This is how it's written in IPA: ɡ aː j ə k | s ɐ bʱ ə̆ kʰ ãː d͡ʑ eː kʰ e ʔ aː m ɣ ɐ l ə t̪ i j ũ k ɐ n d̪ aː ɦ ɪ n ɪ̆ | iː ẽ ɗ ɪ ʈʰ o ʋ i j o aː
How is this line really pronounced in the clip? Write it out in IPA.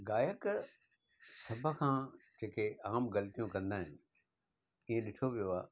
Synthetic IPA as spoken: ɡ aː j ə k | s ɐ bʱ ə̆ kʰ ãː d͡ʑ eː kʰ e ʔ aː m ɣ ɐ l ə t̪ i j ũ k ɐ̃ n d̪ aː ɦ ɪ n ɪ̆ | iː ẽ ɗ ɪ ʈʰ o ʋ i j o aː